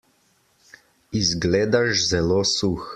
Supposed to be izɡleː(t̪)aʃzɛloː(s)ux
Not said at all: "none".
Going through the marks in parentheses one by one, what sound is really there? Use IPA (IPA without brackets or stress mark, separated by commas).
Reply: d̪, s